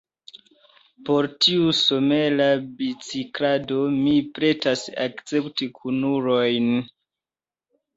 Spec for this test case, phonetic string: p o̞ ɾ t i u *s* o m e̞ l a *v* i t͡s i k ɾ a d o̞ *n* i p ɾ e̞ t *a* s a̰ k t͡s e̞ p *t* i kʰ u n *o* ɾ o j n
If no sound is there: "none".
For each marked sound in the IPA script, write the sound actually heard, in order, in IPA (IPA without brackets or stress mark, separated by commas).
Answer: s, b, m, a, t, u